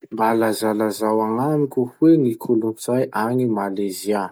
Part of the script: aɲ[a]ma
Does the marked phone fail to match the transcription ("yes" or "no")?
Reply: yes